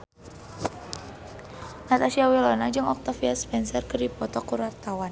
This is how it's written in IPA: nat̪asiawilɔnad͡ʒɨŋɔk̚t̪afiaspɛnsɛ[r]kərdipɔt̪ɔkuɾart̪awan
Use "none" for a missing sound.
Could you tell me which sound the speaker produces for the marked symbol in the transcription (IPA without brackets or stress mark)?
r